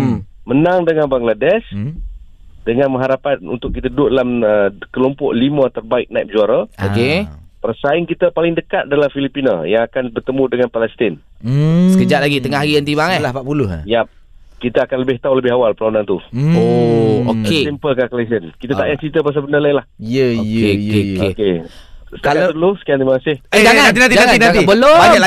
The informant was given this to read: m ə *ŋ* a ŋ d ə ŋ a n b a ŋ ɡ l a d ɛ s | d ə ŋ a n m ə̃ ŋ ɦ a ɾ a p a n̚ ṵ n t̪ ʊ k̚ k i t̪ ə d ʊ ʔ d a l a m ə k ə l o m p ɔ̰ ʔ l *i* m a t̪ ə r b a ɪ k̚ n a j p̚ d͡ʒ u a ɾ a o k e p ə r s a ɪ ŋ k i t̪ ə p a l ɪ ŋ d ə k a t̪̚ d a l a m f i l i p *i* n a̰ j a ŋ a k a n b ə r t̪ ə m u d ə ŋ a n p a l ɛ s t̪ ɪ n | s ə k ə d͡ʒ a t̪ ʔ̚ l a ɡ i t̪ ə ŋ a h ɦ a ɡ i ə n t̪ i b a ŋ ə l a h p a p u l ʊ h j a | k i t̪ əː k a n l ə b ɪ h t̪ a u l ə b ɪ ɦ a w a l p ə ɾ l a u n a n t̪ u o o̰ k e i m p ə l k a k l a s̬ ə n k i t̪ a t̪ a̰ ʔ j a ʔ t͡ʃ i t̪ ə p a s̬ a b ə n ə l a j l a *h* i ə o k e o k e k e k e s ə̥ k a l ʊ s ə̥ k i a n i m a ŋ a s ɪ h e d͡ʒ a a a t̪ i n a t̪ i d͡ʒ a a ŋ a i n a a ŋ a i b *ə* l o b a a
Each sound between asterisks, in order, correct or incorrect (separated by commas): incorrect, correct, correct, correct, correct